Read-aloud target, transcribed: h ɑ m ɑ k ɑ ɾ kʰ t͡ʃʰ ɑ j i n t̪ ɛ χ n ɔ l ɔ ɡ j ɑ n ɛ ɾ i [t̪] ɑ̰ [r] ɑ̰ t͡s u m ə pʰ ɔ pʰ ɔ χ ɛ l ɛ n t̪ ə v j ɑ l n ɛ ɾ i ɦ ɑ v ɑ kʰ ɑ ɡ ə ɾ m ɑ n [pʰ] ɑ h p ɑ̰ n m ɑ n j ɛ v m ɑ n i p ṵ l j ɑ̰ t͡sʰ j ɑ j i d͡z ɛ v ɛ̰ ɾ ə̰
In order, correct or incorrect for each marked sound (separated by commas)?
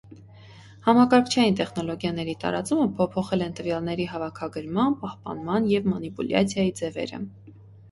correct, incorrect, incorrect